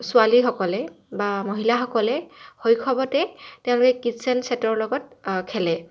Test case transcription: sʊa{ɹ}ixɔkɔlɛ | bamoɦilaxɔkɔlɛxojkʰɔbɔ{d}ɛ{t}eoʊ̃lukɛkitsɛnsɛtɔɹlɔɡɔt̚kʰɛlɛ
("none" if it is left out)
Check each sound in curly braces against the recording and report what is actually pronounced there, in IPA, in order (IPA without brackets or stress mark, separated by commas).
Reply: l, t, t